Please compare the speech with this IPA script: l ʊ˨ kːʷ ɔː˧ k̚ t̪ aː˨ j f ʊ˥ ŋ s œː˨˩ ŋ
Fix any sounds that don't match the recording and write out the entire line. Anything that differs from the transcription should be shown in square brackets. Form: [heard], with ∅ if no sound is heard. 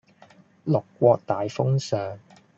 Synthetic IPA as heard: l ʊ˨ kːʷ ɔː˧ k̚ t̪ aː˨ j f ʊ˥ ŋ s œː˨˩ ŋ